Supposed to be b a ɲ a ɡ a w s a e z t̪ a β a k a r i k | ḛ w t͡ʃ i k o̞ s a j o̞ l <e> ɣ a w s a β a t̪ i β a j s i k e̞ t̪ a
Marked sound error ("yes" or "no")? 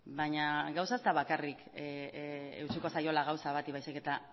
yes